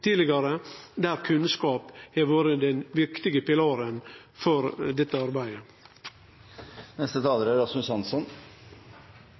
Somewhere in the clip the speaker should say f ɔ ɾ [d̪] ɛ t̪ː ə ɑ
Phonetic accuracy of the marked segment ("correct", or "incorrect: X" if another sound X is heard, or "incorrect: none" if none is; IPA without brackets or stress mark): correct